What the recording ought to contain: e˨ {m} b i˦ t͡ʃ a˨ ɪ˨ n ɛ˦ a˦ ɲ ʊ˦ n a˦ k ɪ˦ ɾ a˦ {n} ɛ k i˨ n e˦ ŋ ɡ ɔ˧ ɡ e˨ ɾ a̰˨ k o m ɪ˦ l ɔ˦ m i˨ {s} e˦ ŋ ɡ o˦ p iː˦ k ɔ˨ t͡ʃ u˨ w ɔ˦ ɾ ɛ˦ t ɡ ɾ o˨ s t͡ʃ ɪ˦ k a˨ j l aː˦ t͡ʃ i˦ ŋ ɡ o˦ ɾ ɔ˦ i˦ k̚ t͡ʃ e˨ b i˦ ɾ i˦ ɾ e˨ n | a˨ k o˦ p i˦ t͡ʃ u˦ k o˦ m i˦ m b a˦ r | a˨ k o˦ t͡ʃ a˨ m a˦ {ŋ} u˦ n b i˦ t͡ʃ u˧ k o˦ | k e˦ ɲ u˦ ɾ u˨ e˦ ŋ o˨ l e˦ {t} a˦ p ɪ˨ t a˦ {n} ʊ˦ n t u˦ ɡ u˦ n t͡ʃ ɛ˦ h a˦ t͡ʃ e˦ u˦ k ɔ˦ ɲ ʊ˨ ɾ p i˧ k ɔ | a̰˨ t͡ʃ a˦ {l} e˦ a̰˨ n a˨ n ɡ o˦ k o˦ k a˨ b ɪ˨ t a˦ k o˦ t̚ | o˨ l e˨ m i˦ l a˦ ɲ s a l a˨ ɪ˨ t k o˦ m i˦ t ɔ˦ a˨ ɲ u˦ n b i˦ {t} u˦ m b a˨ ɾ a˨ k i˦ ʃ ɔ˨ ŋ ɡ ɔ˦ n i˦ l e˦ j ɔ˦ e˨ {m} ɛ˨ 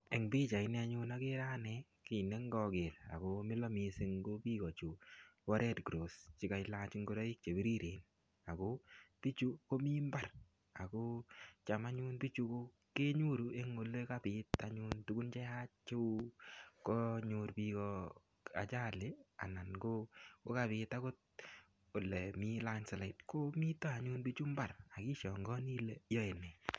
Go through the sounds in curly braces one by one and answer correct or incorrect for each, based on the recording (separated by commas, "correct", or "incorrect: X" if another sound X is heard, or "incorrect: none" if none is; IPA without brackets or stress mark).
incorrect: ŋ, correct, correct, incorrect: ɲ, incorrect: k, incorrect: ɲ, correct, incorrect: t͡ʃ, incorrect: n